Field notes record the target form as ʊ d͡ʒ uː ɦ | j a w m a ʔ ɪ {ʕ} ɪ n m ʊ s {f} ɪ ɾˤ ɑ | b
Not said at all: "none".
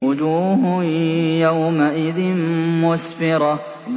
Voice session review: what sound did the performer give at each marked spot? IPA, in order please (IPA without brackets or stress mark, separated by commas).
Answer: ð, f